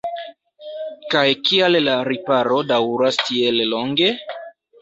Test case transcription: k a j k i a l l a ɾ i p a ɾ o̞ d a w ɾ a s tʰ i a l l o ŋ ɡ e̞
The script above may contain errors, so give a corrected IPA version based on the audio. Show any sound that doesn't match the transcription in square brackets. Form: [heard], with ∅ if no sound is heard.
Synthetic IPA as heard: k a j k i a l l a ɾ i p a ɾ o̞ d a w ɾ a s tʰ i [e] l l o ŋ ɡ e̞

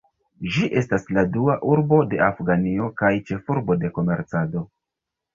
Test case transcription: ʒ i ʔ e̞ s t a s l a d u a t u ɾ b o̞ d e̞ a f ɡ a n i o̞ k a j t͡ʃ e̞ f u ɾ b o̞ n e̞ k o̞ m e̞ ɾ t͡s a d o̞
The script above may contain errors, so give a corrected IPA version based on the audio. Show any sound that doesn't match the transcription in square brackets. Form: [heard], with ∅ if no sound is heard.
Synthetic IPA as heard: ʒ i ʔ e̞ s t a s l a d u a [ʔ] u ɾ b o̞ d e̞ a f ɡ a n i o̞ k a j t͡ʃ e̞ f u ɾ b o̞ [d] e̞ k o̞ m e̞ ɾ t͡s a d o̞

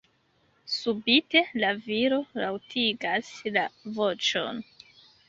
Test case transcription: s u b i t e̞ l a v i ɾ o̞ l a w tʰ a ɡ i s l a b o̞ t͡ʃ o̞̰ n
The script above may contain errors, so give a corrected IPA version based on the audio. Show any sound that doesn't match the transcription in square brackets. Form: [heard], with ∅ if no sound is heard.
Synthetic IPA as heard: s u b i t e̞ l a v i ɾ o̞ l a w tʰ [i] ɡ [a] s l a [v] o̞ t͡ʃ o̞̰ n

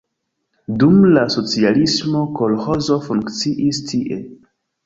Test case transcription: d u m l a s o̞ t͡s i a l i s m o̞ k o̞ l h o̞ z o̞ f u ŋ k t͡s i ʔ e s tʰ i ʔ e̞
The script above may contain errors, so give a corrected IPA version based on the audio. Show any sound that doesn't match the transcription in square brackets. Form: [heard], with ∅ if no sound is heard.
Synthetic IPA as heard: d u m l a s o̞ t͡s i a l i s m o̞ k o̞ l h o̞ z o̞ f u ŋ k t͡s i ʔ [i] s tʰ i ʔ e̞

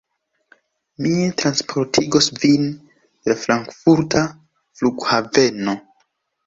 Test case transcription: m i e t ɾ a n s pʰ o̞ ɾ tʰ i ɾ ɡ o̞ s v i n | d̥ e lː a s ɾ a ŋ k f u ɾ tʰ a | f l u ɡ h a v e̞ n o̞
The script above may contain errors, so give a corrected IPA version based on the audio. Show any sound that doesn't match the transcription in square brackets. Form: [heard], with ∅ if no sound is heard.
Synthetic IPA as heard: m i e t ɾ a n s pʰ o̞ ɾ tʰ i [∅] ɡ o̞ s v i n | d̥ e [l] a [f] ɾ a ŋ k f u ɾ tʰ a | f l u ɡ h a v e̞ n o̞

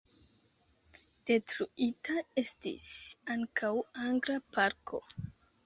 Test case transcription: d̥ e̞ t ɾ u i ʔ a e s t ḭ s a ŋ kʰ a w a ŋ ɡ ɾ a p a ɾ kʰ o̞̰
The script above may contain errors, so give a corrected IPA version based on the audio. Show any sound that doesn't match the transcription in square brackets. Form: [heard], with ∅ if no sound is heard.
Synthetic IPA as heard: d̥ e̞ t ɾ u i [t] a e s t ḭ s a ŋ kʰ a w a ŋ ɡ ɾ a p a ɾ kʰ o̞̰

